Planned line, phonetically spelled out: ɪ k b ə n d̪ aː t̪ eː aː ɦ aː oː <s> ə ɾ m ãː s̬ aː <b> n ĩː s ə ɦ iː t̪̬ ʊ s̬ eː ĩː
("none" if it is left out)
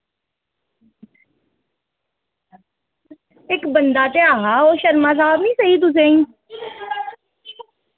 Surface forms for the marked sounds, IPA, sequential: ʃ, b

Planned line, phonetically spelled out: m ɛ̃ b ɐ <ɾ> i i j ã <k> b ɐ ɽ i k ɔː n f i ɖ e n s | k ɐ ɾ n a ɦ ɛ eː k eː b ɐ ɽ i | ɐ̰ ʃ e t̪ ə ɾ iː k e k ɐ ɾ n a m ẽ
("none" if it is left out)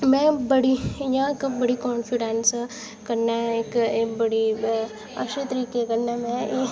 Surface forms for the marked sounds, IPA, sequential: ɽ, k

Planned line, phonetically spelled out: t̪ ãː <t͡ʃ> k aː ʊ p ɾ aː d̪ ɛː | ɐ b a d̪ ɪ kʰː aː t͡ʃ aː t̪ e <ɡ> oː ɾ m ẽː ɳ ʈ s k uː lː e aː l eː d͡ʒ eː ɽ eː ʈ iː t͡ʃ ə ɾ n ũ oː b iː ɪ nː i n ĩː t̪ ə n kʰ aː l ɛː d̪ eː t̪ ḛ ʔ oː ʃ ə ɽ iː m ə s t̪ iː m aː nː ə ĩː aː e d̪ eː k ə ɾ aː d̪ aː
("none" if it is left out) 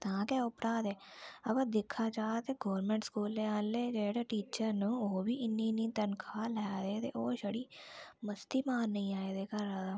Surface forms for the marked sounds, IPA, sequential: none, ɡ

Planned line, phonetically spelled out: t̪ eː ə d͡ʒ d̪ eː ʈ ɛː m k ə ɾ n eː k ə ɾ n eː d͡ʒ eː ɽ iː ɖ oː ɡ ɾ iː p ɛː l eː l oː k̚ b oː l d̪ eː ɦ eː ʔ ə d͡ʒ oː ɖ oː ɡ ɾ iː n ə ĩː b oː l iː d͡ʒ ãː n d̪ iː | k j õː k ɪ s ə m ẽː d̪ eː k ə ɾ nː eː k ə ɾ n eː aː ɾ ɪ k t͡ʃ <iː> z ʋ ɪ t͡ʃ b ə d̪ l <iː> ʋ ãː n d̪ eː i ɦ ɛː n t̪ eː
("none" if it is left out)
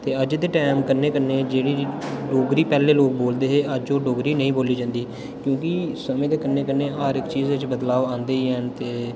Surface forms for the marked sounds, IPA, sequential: iː, aː

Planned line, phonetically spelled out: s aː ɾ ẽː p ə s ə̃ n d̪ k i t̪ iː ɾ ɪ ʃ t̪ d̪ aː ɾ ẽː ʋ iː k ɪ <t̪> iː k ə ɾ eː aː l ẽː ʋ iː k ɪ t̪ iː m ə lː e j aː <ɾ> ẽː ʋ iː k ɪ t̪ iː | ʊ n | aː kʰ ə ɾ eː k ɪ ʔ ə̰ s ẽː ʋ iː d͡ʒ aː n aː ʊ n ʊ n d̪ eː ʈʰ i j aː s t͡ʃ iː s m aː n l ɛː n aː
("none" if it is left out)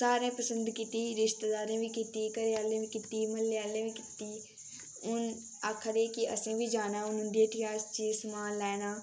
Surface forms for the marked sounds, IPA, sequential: t̪, l

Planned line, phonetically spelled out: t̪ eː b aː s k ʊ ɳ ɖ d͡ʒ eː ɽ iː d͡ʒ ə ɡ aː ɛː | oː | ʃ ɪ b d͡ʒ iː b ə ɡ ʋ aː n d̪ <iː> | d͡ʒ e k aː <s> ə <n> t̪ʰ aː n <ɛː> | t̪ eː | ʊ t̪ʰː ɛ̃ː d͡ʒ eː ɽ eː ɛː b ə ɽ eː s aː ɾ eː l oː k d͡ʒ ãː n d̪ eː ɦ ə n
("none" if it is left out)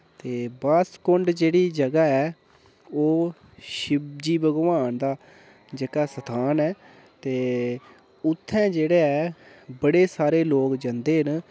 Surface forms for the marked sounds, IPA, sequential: aː, s, none, ɛː

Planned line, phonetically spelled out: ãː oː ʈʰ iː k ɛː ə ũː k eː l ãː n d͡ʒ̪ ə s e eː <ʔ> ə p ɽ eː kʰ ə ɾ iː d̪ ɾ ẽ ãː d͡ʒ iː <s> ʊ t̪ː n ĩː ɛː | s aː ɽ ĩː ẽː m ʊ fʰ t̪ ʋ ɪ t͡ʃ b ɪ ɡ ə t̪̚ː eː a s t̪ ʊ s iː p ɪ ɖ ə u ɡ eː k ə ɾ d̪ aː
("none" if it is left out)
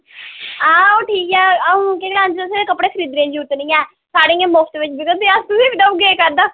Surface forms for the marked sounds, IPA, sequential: k, none

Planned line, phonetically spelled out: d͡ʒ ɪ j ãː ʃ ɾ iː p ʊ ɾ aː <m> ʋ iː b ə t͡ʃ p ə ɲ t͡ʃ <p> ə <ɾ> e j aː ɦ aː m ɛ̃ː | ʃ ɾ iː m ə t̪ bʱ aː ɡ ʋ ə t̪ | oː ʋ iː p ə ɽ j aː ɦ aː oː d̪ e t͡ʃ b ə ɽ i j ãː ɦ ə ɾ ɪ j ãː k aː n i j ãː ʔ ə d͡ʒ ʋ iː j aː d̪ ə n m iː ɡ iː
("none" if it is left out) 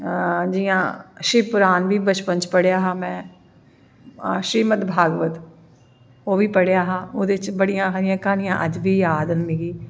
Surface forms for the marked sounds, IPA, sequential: n, p, ɽ

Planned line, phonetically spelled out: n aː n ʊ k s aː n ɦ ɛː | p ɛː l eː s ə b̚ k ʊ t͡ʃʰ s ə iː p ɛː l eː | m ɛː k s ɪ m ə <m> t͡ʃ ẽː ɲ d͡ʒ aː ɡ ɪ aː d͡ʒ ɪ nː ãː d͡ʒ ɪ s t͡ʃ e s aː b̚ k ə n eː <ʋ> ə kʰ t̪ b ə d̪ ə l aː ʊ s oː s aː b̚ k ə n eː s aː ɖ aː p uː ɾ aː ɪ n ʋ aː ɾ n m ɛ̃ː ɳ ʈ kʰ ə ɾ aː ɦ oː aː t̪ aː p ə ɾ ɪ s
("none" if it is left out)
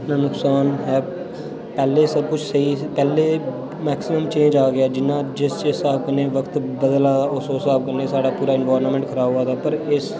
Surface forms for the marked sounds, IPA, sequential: m, ʋ

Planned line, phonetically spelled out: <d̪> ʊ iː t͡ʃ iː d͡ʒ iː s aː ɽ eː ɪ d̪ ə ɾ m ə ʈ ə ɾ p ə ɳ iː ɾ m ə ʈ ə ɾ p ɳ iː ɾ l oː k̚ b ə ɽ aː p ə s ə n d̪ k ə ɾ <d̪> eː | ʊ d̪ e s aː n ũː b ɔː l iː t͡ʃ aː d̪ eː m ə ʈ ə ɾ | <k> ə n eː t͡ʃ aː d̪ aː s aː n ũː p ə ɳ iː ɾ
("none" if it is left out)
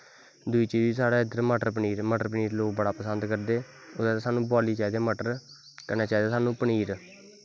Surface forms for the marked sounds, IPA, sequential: d̪, d̪, k

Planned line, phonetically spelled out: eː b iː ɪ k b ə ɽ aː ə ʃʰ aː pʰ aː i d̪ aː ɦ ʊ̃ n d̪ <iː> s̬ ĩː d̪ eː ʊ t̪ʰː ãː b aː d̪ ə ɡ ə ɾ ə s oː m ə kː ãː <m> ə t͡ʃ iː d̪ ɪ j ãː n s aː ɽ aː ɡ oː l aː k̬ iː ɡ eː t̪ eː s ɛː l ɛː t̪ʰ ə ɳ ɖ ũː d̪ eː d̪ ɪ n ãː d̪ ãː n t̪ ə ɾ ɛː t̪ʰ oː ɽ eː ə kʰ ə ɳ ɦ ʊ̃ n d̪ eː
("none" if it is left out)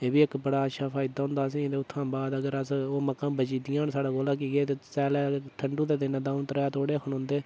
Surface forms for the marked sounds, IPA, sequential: aː, b

